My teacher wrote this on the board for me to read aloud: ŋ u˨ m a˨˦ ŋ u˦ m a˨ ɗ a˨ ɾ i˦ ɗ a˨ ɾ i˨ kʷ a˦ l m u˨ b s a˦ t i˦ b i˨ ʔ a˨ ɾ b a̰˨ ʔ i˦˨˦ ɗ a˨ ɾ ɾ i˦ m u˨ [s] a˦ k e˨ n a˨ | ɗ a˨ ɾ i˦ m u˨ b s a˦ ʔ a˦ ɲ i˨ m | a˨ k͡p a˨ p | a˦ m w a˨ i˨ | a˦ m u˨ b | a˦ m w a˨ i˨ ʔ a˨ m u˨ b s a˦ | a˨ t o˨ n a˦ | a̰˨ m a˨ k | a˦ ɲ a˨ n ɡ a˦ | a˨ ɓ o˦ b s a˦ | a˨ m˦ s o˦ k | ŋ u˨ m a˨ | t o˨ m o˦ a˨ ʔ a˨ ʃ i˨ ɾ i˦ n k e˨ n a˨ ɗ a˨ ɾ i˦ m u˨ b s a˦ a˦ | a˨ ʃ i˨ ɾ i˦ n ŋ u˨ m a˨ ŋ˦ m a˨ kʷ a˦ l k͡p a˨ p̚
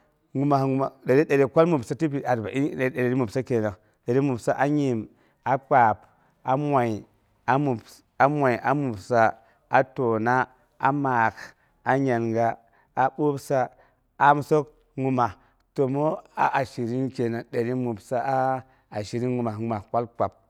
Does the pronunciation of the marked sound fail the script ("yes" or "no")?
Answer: no